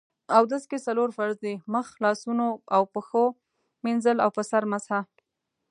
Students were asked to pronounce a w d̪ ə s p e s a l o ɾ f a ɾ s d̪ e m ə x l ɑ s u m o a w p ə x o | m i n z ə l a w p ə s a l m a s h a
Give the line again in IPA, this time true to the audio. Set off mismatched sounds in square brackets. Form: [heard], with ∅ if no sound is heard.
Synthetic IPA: a w d̪ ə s [k] e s a l o ɾ f a ɾ [z] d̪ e m ə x l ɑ s u [n] o a w p ə x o | m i n z ə l a w p ə s a [ɾ] m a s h a